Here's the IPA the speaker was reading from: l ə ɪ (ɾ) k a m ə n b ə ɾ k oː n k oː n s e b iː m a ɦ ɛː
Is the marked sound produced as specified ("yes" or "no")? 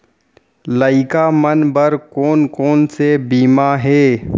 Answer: no